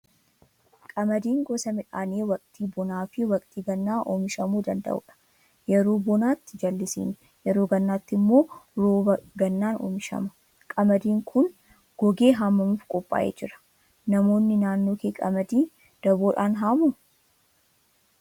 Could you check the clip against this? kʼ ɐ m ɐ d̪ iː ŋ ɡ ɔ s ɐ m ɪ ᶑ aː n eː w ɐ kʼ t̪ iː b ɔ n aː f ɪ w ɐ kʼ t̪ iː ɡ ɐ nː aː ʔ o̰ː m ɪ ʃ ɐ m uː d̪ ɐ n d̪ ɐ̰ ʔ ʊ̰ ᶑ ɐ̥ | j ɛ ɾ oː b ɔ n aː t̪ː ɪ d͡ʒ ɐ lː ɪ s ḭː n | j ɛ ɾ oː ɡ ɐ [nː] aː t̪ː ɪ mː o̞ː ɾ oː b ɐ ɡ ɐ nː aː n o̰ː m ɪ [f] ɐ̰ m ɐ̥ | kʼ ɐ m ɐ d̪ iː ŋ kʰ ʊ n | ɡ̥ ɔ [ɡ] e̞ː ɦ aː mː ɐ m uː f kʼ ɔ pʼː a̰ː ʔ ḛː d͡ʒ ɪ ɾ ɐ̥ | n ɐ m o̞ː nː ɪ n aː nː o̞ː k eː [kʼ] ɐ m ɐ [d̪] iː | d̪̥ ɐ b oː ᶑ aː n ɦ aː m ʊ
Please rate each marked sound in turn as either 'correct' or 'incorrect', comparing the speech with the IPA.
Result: correct, incorrect, correct, correct, correct

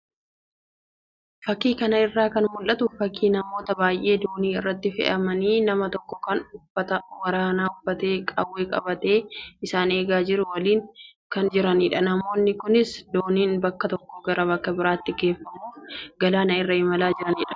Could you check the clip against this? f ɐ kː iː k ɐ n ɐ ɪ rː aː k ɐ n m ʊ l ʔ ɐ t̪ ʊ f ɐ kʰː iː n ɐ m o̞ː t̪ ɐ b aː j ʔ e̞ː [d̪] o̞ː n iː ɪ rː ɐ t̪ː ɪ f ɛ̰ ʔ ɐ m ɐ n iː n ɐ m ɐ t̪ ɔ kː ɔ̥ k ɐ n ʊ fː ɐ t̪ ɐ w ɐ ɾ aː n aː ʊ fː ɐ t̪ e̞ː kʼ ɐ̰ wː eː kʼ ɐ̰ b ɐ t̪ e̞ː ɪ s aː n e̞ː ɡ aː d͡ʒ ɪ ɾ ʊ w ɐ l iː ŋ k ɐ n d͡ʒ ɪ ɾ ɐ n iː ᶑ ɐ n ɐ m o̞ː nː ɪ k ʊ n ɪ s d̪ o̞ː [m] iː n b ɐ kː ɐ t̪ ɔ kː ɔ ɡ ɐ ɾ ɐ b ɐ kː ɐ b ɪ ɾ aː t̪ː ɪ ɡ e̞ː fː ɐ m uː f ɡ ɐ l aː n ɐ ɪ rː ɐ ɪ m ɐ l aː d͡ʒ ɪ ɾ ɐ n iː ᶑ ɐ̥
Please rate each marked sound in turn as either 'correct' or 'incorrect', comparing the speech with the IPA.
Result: correct, incorrect

